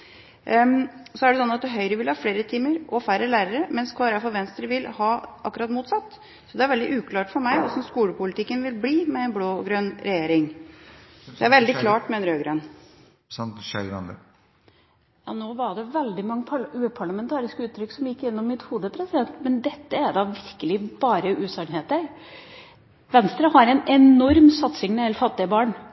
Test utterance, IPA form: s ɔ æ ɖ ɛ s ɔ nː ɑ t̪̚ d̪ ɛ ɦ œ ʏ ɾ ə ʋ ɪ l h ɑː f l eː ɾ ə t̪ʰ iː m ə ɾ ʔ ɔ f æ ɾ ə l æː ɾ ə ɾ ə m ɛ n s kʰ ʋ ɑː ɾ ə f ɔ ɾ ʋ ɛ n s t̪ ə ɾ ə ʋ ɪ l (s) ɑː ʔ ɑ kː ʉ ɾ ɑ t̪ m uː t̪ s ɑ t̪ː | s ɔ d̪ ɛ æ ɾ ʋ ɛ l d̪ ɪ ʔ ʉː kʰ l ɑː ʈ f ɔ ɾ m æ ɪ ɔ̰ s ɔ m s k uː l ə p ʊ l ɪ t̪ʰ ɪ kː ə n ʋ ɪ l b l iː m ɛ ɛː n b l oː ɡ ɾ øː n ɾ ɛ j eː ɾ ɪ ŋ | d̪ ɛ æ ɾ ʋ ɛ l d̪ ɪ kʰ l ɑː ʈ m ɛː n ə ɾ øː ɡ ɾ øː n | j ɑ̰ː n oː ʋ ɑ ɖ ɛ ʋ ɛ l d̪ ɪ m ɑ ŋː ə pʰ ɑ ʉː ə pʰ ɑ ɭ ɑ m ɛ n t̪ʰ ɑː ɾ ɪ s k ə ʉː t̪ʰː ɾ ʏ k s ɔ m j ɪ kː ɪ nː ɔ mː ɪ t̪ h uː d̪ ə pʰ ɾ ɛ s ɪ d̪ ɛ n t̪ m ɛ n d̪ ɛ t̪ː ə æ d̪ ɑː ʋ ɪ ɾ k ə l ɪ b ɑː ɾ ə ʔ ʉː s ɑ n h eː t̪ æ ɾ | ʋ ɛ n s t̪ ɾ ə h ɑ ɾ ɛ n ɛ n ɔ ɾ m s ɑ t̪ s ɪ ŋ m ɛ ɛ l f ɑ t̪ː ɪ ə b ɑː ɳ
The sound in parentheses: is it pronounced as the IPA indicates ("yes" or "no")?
no